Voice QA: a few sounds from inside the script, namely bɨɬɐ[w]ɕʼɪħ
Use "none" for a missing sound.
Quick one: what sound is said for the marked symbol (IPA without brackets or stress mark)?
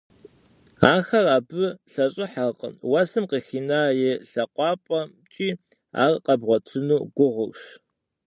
none